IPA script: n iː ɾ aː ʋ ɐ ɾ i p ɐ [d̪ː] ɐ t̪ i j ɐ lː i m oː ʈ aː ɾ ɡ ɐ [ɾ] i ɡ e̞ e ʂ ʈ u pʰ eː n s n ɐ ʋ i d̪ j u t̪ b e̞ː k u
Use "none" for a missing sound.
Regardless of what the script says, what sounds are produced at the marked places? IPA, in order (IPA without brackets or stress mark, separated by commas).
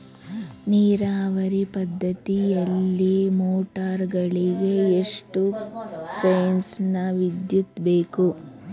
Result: d̪ː, ɭ